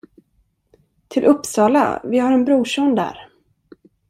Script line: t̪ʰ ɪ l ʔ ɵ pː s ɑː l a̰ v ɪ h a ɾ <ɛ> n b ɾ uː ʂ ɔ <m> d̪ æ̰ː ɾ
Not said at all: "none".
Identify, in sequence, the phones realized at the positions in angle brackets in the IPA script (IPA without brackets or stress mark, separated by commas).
ɛ, n